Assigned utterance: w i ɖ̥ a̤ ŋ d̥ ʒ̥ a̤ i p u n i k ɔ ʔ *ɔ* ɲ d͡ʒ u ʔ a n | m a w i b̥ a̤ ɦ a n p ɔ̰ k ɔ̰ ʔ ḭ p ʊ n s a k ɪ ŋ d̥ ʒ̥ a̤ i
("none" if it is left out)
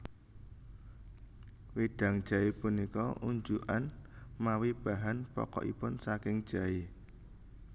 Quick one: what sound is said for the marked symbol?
u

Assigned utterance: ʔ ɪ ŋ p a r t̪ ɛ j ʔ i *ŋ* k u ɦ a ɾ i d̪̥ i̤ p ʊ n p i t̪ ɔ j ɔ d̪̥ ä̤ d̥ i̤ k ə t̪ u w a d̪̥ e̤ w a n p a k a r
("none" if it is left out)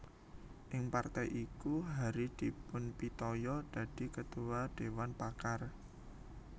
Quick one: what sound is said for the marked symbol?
none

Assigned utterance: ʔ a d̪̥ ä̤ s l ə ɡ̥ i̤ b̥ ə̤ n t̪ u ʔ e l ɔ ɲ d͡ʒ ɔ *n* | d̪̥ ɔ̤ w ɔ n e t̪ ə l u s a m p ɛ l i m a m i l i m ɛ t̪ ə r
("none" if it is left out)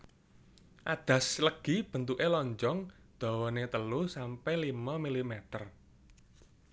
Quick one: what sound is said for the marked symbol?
ŋ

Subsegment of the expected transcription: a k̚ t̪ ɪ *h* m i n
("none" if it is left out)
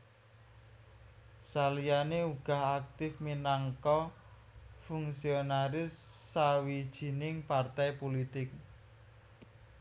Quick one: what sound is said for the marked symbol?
f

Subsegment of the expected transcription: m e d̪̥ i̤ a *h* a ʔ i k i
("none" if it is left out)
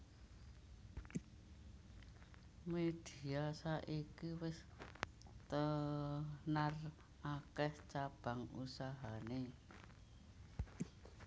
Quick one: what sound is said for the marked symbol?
s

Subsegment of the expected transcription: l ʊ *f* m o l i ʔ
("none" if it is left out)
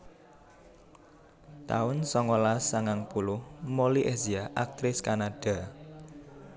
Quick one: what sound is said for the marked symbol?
h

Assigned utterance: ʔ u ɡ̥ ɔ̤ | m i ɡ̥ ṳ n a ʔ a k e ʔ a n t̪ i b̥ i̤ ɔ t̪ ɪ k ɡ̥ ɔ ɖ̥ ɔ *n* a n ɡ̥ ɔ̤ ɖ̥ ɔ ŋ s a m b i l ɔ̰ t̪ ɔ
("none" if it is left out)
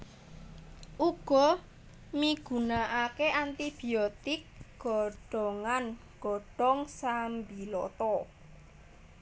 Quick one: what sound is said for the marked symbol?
ŋ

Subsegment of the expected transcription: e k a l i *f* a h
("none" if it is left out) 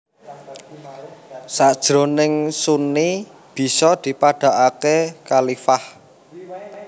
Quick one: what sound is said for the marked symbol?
f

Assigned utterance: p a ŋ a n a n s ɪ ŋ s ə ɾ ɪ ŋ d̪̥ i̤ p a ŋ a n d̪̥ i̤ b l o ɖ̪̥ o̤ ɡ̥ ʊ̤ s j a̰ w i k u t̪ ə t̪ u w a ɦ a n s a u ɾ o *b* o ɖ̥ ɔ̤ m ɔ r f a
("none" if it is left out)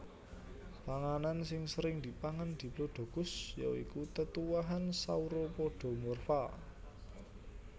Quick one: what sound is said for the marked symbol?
p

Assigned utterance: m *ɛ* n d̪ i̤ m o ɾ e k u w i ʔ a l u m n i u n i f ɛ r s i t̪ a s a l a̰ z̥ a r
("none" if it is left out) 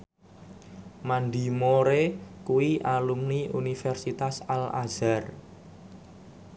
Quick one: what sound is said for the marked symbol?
a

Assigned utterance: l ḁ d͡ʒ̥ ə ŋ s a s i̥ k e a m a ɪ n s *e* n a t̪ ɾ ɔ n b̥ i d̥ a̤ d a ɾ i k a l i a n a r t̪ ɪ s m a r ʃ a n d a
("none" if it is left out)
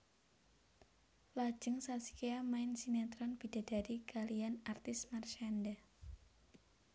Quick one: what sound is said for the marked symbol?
i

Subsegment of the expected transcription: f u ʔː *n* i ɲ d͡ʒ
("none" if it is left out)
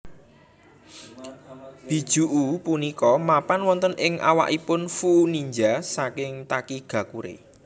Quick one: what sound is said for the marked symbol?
n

